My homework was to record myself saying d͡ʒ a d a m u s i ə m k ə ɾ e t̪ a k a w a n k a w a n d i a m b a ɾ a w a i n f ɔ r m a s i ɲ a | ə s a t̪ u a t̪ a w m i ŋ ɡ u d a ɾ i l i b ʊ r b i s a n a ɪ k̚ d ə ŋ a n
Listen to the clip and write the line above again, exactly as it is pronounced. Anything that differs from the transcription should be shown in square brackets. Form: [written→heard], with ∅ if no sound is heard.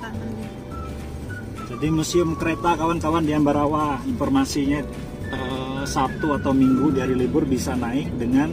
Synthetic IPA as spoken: d͡ʒ a d [a→i] m u s i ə m k ə ɾ e t̪ a k a w a n k a w a n d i a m b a ɾ a w a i n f ɔ r m a s i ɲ a | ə s a t̪ u a t̪ a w m i ŋ ɡ u d a ɾ i l i b ʊ r b i s a n a ɪ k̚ d ə ŋ a n

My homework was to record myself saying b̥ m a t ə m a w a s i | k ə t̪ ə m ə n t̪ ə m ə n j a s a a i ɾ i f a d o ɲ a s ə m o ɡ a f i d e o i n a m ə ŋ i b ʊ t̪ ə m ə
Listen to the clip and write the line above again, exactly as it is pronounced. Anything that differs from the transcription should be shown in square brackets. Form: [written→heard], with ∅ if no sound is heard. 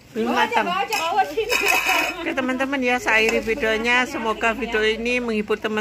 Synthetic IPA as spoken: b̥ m a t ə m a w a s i | k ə t̪ ə m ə n t̪ ə m ə n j a s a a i ɾ i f [a→i] d o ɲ a s ə m o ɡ a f i d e o i n [a→i] m ə ŋ i b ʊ t̪ ə m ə

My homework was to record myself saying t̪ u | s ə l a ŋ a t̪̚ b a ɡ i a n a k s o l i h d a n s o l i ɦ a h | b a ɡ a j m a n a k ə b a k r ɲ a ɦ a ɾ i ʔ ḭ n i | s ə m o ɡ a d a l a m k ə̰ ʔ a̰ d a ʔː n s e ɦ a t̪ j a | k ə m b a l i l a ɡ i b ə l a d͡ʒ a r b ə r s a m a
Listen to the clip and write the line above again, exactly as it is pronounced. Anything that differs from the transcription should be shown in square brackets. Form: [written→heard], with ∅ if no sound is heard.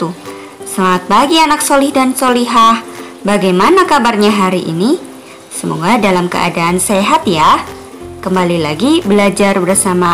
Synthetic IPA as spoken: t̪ u | s ə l a ŋ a t̪̚ b a ɡ i a n a k s o l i h d a n s o l i ɦ a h | b a ɡ a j m a n a k [ə→a] b a [k→∅] r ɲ a ɦ a ɾ i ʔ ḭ n i | s ə m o ɡ a d a l a m k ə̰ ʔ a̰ d a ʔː n s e ɦ a t̪ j a | k ə m b a l i l a ɡ i b ə l a d͡ʒ a r b ə r s a m a

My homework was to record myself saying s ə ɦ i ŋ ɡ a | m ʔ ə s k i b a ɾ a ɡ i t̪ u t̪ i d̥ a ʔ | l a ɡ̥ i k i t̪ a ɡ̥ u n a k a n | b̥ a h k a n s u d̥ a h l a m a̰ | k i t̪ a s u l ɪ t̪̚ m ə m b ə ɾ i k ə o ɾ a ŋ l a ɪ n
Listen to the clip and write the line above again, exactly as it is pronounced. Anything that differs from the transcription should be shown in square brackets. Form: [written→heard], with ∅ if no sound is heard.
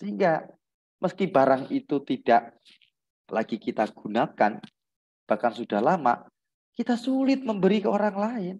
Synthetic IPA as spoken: s ə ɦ i ŋ ɡ a | m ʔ ə s k i b a ɾ a [ɡ→ŋ] i t̪ u t̪ i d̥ a ʔ | l a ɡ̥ i k i t̪ a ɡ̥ u n a k a n | b̥ a h k a n s u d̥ a h l a m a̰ | k i t̪ a s u l ɪ t̪̚ m ə m b ə ɾ i k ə o ɾ a ŋ l a ɪ n

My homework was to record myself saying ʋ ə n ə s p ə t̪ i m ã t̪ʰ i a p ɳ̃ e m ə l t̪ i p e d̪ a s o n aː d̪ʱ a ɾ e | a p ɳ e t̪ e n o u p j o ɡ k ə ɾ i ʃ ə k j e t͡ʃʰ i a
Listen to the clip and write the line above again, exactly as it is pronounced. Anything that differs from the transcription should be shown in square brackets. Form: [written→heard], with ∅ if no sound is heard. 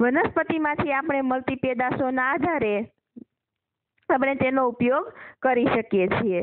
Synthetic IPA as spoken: ʋ ə n ə s p ə t̪ i m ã t̪ʰ i a p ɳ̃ e m ə l t̪ i p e d̪ a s o n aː d̪ʱ a ɾ e | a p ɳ e t̪ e n o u p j o ɡ k ə ɾ i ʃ ə k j e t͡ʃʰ i [a→e]

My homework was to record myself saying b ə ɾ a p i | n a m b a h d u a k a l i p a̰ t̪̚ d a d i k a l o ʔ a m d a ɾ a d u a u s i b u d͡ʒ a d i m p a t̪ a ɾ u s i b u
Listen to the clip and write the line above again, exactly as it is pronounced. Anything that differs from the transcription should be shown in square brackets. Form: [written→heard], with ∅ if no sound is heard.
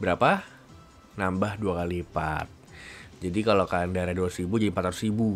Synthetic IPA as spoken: b ə ɾ a p [i→a] | n a m b a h d u a k a l i p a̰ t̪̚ [d→d͡ʒ] a d i k a l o [ʔ→k] a [m→n] d a ɾ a d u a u s i b u d͡ʒ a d i m p a t̪ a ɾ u s i b u

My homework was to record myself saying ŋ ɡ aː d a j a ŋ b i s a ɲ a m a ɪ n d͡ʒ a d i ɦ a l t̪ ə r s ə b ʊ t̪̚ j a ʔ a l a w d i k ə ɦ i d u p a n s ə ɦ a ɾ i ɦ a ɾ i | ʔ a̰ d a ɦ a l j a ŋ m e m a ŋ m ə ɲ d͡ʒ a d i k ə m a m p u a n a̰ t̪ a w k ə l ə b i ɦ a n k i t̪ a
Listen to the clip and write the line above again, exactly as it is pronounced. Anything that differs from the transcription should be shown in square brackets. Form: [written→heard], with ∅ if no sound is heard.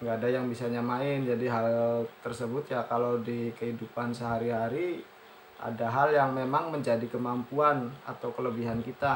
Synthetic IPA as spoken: ŋ ɡ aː d a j a ŋ b i s a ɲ a m a ɪ n d͡ʒ a d i ɦ a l t̪ ə r s ə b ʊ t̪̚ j a [ʔ→k] a l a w d i k ə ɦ i d u p a n s ə ɦ a ɾ i ɦ a ɾ i | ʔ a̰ d a ɦ a l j a ŋ m e m a ŋ m ə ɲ d͡ʒ a d i k ə m a m p u a n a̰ t̪ a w k ə l ə b i ɦ a n k i t̪ a

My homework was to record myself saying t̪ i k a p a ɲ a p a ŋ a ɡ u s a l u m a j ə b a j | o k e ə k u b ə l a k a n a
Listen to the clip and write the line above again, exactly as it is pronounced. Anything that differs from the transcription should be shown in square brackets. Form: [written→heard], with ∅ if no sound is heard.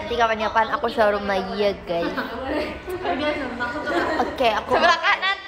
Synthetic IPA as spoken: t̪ i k a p a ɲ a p a [ŋ→n] a [ɡ→k] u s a [l→ɾ] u m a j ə [b→ɡ] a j | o k e [ə→a] k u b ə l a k a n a

